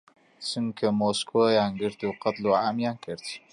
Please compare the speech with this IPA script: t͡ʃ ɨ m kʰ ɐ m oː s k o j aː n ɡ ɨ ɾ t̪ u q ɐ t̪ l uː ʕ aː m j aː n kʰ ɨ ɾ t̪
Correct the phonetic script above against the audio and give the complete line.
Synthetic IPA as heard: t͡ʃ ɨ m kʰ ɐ m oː s k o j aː n ɡ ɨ ɾ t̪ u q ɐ t̪ l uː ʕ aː m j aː n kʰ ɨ ɾ t̪